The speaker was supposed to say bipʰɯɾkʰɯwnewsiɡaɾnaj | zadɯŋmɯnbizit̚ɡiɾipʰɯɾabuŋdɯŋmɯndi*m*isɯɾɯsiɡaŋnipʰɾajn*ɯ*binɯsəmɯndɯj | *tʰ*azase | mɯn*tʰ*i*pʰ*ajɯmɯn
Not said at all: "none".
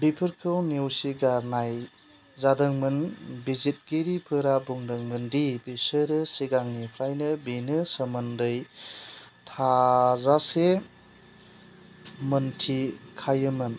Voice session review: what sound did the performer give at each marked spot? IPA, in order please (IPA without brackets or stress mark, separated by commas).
b, ɯ, tʰ, tʰ, kʰ